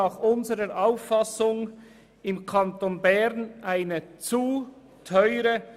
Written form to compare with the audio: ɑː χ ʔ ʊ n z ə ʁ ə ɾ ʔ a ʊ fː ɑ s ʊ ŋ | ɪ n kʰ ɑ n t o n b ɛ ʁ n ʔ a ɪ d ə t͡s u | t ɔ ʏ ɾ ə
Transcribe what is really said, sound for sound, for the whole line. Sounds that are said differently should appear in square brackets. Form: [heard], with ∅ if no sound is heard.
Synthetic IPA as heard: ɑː χ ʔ ʊ n z ə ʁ ə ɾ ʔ a ʊ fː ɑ s ʊ ŋ | ɪ [m] kʰ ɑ n t o n b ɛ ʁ n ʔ a ɪ [n] ə t͡s u | [tʰ] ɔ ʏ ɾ ə